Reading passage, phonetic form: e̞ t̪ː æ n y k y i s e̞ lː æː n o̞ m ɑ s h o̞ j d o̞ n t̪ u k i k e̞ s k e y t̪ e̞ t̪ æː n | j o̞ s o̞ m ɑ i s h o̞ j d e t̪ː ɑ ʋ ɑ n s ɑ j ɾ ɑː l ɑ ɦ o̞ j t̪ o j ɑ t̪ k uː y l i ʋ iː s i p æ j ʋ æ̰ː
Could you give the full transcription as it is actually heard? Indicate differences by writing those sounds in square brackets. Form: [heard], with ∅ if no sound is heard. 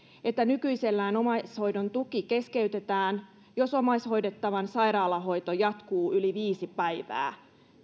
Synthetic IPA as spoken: e̞ t̪ː æ n y k y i s e̞ lː æː n o̞ m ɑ s h o̞ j d o̞ n t̪ u k i k e̞ s k e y t̪ e̞ t̪ æː n | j o̞ s o̞ m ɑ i s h o̞ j d e t̪ː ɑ ʋ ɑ n s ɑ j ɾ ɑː l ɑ ɦ o̞ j t̪ o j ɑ t̪ k uː y l i ʋ iː s i p æ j ʋ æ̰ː